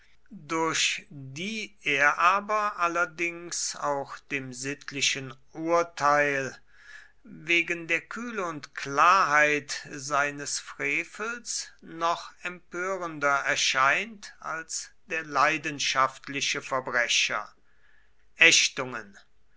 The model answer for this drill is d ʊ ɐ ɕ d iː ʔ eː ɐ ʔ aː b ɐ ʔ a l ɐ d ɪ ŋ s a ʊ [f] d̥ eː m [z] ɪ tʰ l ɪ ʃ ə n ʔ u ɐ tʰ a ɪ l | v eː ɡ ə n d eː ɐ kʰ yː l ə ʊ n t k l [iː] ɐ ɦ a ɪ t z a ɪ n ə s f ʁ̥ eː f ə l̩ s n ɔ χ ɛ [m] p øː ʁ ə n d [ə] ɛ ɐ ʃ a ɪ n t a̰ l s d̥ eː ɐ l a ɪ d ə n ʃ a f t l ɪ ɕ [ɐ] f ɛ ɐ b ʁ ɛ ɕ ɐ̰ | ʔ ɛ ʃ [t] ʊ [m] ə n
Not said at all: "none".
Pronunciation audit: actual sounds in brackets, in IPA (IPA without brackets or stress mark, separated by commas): x, z, aː, m, ɐ, ə, t, ŋ